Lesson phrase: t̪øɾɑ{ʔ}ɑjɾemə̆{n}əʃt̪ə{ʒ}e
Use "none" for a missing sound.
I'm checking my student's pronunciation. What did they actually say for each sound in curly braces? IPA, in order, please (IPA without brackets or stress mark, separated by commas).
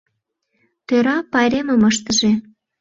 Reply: p, m, ʒ